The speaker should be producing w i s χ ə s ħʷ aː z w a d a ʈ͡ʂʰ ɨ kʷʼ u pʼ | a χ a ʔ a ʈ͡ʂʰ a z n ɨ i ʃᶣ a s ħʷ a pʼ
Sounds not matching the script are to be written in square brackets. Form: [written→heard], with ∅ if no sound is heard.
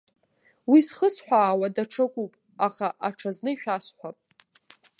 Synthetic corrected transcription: w i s χ ə s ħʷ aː [z→∅] w a d a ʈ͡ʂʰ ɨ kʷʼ u pʼ | a χ a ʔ a ʈ͡ʂʰ a z n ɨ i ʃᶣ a s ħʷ a pʼ